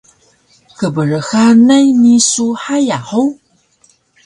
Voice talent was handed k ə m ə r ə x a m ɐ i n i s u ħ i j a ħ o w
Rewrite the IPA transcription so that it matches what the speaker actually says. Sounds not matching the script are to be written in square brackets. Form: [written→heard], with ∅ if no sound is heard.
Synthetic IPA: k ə [m→b] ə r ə x a [m→n] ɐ [i→j] n i s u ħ [i→a] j a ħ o w